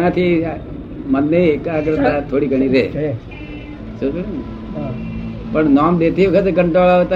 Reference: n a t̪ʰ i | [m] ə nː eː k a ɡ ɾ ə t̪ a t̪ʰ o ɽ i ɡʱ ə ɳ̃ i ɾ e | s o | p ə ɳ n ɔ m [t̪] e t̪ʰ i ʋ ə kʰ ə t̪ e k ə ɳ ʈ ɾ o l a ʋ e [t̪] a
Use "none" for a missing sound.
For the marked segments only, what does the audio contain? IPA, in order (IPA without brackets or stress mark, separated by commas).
m, d̪, t̪